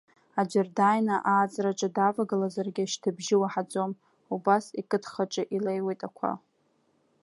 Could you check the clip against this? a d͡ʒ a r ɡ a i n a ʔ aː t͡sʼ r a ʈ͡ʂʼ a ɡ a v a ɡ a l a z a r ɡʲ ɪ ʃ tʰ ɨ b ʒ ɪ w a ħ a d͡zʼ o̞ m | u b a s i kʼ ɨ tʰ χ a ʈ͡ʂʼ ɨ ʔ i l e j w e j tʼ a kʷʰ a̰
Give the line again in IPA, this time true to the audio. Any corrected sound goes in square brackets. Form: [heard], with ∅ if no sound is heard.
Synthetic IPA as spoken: a d͡ʒ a r [d] a [j] n a ʔ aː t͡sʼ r a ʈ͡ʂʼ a [d] a v a ɡ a l a z a r ɡʲ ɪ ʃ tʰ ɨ b ʒ ɪ w a ħ a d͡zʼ o̞ m | u b a s i kʼ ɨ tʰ χ a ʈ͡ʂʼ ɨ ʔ i l e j w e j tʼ a kʷʰ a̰

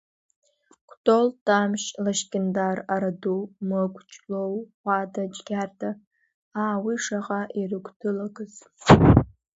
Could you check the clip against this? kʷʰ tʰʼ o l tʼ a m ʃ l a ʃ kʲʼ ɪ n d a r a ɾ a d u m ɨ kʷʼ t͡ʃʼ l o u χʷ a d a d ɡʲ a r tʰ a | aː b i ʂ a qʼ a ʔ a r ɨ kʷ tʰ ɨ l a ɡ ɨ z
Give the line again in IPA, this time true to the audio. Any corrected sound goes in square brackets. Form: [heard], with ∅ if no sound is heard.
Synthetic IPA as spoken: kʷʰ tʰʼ o l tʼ a m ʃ l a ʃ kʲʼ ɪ n d a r a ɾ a d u m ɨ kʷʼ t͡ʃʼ l o [w] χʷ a d a [d͡ʒ] ɡʲ a r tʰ a | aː [w] i ʂ a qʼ a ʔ [i] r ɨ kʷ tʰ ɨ l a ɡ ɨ z

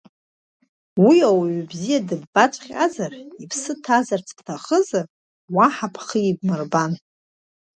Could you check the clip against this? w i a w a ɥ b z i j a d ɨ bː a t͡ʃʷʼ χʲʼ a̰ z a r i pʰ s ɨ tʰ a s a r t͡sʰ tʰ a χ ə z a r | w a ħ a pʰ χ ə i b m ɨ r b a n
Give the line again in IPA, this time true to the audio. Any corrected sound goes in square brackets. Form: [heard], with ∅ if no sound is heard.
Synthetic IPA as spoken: w i a w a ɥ b z i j a d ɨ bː a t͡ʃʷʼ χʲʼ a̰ z a r i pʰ s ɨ tʰ a [z] a r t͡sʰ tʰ a χ ə z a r | w a ħ a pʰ χ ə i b m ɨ r b a n

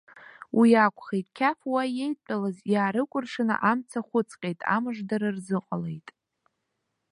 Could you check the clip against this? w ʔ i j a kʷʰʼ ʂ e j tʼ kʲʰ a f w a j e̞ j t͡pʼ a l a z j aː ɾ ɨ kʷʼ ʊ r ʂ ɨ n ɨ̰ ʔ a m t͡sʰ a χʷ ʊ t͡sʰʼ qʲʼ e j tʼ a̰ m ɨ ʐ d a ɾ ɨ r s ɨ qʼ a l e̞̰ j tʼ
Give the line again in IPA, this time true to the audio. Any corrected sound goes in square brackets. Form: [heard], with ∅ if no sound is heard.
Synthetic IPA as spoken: w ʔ i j a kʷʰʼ [χ] e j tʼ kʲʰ a f w a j e̞ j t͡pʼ a l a z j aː ɾ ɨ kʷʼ ʊ r ʂ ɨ n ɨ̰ ʔ a m t͡sʰ a χʷ ʊ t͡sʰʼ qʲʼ e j tʼ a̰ m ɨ ʐ d a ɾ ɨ r [z] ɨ qʼ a l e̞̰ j tʼ

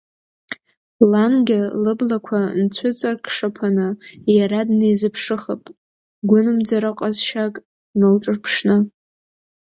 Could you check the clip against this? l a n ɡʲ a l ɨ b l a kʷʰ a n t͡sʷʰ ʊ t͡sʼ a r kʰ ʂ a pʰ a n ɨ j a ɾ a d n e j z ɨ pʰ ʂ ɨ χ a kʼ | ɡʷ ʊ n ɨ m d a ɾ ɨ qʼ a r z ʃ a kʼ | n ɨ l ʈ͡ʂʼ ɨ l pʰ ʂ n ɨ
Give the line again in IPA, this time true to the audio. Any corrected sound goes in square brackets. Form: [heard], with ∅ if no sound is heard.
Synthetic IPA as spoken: l a n ɡʲ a l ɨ b l a kʷʰ a n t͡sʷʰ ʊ t͡sʼ a r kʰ ʂ a pʰ a n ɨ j a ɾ a d n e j z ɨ pʰ ʂ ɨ χ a [pʼ] | ɡʷ ʊ n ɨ m [d͡z] a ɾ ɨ qʼ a [∅] z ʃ a kʼ | n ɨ l ʈ͡ʂʼ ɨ [r] pʰ ʂ n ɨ

